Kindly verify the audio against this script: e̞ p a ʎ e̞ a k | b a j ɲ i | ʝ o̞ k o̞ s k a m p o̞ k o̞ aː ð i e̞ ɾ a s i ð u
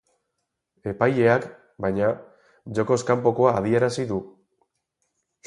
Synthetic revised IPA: e̞ p a j e̞ a k | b a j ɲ a | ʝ o̞ k o̞ s k a m p o̞ k o̞ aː ð i e̞ ɾ a s i ð u